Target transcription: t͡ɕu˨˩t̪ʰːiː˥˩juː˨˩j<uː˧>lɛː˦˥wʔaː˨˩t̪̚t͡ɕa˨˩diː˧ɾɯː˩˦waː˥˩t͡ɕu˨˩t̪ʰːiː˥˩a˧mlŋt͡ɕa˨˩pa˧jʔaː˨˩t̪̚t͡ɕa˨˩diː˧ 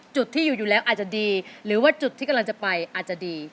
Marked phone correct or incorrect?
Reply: incorrect